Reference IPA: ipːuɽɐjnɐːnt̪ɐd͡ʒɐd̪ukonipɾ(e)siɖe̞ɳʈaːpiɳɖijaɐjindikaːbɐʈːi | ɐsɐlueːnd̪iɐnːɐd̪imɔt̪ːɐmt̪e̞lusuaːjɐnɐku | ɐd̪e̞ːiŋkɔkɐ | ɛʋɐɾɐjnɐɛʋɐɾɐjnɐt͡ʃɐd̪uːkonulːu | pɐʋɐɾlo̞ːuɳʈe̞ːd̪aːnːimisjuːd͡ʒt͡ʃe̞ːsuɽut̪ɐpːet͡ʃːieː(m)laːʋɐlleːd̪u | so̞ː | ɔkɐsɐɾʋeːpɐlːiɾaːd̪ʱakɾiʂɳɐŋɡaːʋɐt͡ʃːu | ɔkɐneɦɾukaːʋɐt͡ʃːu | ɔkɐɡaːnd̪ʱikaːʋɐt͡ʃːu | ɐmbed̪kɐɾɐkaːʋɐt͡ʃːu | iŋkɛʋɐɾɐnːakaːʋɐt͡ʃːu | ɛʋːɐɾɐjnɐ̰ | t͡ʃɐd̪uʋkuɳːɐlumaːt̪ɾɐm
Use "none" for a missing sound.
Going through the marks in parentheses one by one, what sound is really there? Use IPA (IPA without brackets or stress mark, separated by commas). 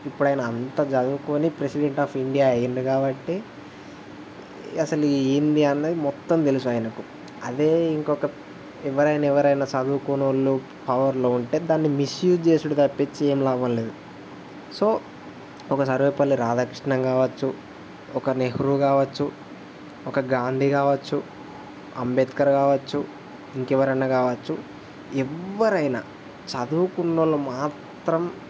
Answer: e, m